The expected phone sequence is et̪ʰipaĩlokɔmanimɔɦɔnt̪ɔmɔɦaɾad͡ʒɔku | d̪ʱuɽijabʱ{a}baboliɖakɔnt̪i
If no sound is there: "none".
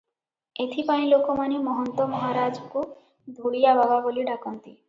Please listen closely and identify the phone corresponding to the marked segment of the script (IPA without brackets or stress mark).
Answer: a